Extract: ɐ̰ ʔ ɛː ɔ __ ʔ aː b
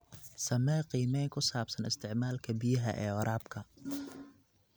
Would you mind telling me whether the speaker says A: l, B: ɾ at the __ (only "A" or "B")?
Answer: B